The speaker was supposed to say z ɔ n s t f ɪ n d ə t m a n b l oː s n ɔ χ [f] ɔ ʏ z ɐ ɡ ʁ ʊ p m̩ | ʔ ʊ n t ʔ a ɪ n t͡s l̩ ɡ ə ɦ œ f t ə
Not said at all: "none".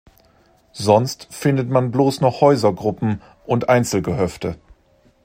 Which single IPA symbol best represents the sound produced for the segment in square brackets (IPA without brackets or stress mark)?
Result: h